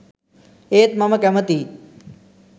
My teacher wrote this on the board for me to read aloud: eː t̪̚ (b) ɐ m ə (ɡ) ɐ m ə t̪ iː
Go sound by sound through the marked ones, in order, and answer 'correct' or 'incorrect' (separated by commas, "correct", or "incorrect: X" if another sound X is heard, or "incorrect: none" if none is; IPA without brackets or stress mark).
incorrect: m, incorrect: k